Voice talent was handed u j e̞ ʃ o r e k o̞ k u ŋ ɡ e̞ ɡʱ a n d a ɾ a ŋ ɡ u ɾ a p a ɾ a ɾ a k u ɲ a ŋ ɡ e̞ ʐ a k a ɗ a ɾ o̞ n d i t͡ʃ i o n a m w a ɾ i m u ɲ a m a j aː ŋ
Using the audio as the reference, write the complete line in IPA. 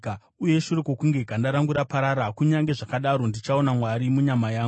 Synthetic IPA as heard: u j e̞ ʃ u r e k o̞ k u ŋ ɡ e̞ ɡʱ a n d a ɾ a ŋ ɡ u ɾ a p a ɾ a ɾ a k u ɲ a ŋ ɡ e̞ ʐ a k a ɗ a ɾ o̞ n d i t͡ʃ a o n a m w a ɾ i m u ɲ a m a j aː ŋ